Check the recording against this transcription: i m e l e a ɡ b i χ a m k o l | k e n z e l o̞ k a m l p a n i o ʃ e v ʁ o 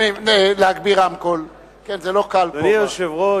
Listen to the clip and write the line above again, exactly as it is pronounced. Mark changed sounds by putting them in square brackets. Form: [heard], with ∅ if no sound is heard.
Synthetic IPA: i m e l e a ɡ b i [ʁ] a m k o l | k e n z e l o̞ k a [∅] l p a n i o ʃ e v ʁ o